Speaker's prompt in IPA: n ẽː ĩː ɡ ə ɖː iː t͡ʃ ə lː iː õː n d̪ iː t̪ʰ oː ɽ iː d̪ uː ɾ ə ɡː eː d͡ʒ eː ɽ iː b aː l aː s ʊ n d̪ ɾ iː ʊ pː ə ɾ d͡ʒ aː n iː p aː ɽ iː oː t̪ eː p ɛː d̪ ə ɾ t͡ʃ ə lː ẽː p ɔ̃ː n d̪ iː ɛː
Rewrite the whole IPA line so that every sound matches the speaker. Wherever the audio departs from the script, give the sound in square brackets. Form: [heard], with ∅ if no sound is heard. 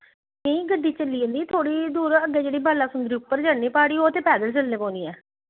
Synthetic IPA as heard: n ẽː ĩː ɡ ə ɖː iː t͡ʃ ə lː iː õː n d̪ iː t̪ʰ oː ɽ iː d̪ uː ɾ ə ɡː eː d͡ʒ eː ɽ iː b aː l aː s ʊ n d̪ ɾ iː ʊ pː ə ɾ d͡ʒ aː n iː p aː ɽ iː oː t̪ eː p ɛː d̪ ə [l] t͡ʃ ə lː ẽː p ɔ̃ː n d̪ iː ɛː

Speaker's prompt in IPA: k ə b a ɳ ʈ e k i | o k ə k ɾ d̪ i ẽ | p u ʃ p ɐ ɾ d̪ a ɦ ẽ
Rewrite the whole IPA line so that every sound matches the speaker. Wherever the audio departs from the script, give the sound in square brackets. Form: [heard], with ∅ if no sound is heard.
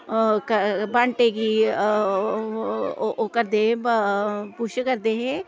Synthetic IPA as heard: k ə b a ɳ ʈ e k i | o k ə [∅] ɾ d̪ [e] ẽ | p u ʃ [k] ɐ ɾ d̪ [e] ɦ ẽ

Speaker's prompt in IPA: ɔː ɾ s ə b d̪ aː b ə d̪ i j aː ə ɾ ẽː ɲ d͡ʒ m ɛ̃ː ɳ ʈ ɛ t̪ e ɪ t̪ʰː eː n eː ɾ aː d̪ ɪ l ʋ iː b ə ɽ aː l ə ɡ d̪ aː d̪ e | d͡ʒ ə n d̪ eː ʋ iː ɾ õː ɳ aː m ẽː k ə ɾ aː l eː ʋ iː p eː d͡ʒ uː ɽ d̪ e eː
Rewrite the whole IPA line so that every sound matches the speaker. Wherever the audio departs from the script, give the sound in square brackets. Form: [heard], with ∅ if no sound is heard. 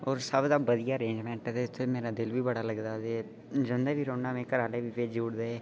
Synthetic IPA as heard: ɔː ɾ s ə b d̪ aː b ə d̪ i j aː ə ɾ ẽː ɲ d͡ʒ m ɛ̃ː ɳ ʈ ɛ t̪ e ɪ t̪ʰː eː [m] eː ɾ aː d̪ ɪ l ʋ iː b ə ɽ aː l ə ɡ d̪ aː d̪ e | d͡ʒ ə n d̪ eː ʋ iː ɾ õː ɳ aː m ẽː k ə ɾ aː l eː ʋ iː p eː d͡ʒ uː ɽ d̪ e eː

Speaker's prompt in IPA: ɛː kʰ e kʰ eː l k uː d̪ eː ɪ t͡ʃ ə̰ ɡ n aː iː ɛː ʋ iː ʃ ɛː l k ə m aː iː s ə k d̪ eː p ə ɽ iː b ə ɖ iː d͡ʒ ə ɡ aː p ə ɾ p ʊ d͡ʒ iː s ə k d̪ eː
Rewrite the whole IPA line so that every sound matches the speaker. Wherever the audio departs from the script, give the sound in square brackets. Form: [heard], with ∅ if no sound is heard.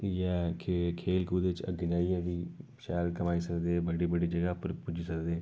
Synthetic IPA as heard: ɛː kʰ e kʰ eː l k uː d̪ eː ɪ t͡ʃ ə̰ ɡ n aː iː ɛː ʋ iː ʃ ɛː l k ə m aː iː s ə k d̪ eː [b] ə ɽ iː b ə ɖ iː d͡ʒ ə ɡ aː p ə ɾ p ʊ d͡ʒ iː s ə k d̪ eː

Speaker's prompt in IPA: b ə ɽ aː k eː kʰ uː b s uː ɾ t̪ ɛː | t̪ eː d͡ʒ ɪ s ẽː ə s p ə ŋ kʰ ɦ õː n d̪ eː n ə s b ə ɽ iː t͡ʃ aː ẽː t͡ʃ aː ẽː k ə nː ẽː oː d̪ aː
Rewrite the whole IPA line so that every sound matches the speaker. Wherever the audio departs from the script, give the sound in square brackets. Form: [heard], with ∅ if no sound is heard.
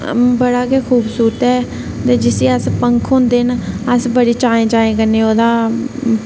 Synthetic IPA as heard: b ə ɽ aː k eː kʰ uː b s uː ɾ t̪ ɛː | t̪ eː d͡ʒ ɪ s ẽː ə s p ə ŋ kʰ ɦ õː n d̪ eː n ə s b ə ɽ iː t͡ʃ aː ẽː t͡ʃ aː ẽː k ə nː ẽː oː d̪ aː

